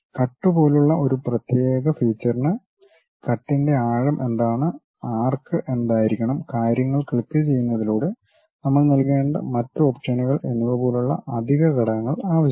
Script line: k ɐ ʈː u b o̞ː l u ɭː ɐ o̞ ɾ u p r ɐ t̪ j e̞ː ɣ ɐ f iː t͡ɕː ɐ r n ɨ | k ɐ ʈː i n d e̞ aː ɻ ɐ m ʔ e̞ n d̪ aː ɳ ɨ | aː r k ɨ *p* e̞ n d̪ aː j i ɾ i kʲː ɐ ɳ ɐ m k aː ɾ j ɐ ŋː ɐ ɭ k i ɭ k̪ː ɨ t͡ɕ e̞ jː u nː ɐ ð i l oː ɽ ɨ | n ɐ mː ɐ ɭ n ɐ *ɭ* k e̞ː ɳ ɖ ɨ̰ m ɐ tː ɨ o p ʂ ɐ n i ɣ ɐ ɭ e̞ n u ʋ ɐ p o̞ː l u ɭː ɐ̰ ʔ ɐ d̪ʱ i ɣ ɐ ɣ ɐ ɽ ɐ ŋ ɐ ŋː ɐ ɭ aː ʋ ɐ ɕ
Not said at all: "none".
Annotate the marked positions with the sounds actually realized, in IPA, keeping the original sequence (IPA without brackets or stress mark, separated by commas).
ʔ, l